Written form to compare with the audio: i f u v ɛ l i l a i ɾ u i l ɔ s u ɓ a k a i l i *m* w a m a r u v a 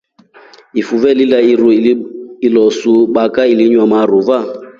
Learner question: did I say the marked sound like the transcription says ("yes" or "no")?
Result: no